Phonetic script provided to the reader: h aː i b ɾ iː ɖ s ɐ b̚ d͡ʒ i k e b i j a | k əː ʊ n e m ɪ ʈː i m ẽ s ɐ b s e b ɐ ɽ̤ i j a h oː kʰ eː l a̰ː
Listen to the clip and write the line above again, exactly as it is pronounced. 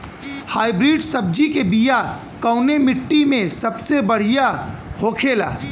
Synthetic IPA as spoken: h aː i b ɾ iː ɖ s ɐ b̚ d͡ʒ i k e b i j a | k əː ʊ n e m ɪ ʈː i m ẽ s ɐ b s e b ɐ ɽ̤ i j a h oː kʰ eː l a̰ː